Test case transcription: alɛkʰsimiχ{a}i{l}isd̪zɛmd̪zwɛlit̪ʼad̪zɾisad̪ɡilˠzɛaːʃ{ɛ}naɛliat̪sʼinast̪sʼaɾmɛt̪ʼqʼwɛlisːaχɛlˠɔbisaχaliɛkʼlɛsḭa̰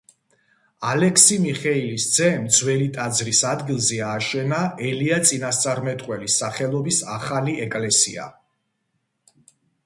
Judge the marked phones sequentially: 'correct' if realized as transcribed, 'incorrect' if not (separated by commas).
incorrect, correct, correct